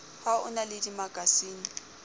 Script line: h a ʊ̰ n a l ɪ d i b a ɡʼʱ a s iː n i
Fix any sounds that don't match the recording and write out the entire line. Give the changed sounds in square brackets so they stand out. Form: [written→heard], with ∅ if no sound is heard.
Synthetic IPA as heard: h a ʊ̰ n a l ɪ d i [b→m] a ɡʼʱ a s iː n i